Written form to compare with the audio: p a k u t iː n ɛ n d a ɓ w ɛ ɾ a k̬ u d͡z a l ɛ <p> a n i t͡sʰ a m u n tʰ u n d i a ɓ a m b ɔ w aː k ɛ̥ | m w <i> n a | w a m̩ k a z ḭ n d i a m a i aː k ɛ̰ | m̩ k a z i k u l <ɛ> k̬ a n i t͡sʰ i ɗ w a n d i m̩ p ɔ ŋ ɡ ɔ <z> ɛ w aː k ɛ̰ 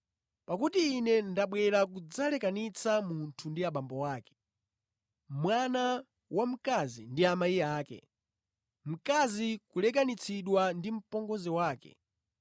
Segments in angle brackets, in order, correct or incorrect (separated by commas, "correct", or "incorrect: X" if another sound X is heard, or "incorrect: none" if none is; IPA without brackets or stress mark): incorrect: k, incorrect: a, correct, correct